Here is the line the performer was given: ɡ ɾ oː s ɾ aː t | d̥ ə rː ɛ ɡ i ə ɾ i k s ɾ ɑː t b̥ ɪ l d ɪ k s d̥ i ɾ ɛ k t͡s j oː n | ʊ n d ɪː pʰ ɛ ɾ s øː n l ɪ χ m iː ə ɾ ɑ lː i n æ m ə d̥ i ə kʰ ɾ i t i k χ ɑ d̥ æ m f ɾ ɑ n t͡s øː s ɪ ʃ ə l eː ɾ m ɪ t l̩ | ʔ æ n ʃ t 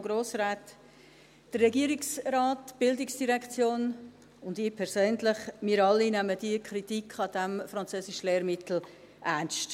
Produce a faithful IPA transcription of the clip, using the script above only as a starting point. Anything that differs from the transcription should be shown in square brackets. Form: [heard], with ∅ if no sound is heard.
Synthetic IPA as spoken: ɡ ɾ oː s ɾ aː t | d̥ ə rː ɛ ɡ i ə ɾ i k s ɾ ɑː t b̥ ɪ l d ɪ k s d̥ i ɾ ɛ k t͡s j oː n | ʊ n d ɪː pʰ ɛ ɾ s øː n l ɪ χ m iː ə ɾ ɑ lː i n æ m ə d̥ i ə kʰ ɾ i t i k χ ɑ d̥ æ m f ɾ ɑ n t͡s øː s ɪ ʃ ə l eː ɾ m ɪ t l̩ | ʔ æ n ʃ t